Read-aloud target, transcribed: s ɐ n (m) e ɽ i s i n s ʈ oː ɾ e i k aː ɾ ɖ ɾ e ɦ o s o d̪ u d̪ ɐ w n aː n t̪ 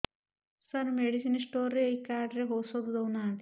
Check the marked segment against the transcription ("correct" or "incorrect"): correct